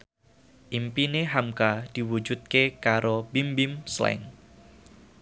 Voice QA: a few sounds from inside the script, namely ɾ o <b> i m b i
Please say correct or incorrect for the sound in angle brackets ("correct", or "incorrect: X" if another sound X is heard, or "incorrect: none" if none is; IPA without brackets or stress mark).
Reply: correct